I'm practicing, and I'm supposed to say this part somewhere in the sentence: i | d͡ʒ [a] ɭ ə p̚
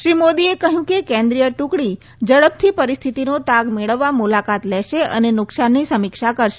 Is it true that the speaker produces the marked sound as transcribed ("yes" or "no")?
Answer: no